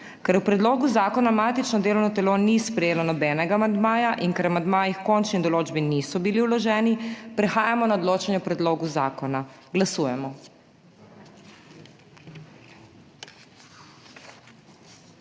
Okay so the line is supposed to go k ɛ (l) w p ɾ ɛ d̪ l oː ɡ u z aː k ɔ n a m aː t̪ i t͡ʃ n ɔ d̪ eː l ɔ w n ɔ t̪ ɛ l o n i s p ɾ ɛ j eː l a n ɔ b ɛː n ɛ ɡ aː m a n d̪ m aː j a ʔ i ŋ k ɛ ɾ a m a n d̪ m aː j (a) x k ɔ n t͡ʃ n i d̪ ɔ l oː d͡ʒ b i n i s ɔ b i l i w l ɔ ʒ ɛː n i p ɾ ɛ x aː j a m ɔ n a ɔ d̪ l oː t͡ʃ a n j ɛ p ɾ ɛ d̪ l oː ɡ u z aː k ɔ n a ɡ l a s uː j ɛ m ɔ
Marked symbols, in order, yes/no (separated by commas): no, no